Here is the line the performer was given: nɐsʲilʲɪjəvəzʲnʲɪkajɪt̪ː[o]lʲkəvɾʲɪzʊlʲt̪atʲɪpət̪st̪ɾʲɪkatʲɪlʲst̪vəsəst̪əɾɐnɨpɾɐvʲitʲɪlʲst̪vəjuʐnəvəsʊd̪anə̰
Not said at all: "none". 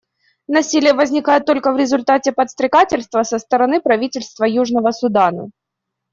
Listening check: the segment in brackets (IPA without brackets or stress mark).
o